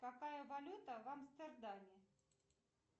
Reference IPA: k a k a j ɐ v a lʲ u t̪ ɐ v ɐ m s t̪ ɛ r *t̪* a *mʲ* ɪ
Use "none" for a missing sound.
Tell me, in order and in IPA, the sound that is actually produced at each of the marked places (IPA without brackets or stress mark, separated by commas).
d̪, mʲ